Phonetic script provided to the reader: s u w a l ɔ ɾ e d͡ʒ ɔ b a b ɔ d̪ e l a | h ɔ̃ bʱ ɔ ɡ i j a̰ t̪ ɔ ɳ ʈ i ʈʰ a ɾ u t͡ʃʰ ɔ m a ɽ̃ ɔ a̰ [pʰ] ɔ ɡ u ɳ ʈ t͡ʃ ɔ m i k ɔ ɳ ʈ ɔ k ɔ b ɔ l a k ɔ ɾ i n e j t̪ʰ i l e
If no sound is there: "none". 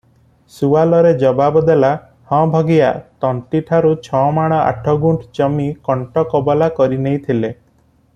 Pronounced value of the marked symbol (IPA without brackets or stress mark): ʈʰ